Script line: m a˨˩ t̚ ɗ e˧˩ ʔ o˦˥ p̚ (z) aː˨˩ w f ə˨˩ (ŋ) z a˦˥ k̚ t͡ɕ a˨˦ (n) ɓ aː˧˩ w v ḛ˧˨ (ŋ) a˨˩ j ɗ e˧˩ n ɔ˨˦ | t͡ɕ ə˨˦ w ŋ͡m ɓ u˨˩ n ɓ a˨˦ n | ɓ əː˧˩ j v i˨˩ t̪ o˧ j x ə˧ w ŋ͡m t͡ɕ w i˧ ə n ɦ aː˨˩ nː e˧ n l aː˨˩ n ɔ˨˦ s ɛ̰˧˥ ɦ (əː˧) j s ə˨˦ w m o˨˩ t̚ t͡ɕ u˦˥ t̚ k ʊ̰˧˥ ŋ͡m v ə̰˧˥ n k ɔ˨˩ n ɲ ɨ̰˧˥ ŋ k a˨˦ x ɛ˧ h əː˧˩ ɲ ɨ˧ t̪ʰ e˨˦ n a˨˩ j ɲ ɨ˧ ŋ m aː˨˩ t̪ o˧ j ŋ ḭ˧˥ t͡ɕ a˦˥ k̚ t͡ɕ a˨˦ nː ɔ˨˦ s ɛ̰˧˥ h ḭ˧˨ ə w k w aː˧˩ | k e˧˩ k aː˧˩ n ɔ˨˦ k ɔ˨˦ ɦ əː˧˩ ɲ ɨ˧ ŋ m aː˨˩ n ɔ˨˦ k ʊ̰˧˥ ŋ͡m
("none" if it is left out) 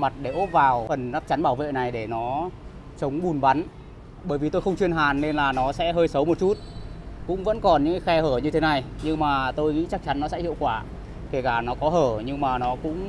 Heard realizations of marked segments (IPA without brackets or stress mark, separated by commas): v, n, n, n, əː˧